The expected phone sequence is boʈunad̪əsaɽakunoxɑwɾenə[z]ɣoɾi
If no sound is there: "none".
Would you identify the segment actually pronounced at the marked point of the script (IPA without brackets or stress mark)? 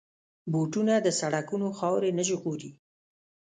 ʒ